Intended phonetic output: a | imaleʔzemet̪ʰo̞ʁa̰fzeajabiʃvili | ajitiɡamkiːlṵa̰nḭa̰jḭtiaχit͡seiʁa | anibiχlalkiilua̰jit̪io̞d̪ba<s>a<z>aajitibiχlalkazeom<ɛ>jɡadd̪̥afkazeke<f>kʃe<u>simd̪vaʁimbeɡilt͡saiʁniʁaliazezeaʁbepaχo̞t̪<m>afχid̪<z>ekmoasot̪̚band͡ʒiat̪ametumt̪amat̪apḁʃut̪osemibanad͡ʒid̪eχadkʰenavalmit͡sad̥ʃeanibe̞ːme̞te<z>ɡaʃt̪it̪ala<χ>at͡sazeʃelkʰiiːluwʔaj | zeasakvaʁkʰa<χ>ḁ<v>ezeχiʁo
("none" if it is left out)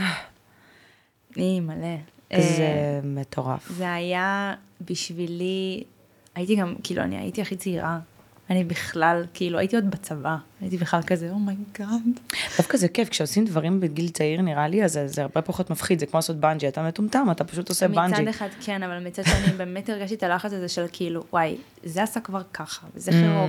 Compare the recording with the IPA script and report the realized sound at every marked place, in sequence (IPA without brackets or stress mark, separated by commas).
t͡s, v, a, f, o, m, z, ʁ, χ, χ, v